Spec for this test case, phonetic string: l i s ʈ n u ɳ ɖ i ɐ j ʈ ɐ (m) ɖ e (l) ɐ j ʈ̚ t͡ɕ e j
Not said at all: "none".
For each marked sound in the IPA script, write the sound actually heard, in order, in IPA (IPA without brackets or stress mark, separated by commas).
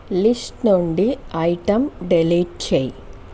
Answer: m, l